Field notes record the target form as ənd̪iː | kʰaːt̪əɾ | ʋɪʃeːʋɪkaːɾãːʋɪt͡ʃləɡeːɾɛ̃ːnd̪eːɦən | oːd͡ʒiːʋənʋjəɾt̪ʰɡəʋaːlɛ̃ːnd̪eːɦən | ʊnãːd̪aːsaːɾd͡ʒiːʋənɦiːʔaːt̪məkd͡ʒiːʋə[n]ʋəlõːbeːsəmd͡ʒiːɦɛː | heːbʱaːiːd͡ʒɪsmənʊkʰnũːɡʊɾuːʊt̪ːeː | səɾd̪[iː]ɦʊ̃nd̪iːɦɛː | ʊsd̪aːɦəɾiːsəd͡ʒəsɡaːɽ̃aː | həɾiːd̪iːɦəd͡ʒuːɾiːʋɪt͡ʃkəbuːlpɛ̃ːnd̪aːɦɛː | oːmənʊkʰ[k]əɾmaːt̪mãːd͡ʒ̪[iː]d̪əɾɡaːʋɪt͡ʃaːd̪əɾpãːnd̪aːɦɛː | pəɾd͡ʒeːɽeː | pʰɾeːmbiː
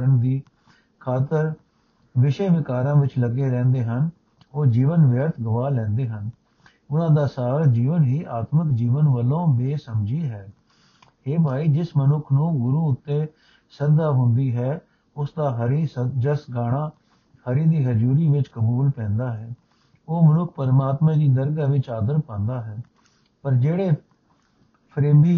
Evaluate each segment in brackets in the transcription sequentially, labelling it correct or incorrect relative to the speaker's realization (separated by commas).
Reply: correct, incorrect, incorrect, correct